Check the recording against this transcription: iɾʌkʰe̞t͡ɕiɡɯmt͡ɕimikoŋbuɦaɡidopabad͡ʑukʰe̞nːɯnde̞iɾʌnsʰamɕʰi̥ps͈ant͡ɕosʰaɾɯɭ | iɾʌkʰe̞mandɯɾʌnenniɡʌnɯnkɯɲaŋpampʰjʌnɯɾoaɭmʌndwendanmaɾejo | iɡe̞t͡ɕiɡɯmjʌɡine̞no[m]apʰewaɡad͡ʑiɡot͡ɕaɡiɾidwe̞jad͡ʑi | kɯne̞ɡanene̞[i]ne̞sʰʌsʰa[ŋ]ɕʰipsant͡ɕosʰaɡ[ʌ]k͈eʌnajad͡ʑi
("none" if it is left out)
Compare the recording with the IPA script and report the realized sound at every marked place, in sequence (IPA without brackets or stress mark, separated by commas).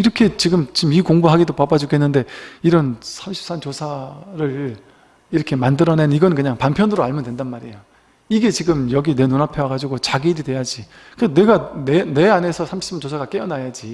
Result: n, a, m, a